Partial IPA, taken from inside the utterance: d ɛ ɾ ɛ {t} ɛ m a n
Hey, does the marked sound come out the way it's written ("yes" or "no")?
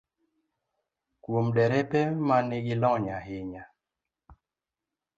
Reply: no